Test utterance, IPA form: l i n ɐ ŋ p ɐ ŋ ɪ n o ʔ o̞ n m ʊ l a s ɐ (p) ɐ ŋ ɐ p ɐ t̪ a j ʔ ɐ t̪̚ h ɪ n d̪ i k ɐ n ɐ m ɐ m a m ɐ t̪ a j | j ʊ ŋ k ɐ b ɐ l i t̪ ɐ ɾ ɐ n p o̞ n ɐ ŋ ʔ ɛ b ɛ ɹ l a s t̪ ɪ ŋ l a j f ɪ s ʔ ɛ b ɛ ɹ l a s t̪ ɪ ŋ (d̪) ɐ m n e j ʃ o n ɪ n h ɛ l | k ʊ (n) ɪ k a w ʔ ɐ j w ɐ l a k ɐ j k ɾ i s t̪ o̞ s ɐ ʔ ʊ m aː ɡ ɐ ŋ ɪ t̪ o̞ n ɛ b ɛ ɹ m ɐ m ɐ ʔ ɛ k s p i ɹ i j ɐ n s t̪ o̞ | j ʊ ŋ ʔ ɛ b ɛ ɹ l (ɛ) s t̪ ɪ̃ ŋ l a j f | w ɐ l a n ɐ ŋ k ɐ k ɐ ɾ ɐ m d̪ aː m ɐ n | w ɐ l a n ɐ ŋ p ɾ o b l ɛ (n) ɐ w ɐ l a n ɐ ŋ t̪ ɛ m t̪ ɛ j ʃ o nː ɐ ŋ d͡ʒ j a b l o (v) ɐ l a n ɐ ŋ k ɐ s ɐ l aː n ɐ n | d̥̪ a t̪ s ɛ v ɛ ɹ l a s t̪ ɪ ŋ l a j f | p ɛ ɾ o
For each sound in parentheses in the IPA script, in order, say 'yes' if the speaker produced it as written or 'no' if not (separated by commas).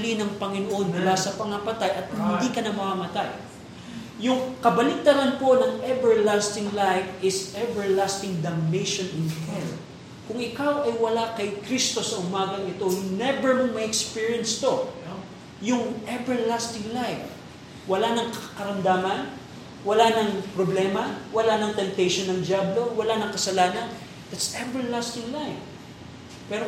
yes, yes, no, no, no, no